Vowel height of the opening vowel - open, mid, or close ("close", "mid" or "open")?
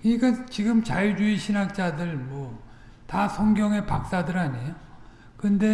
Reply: close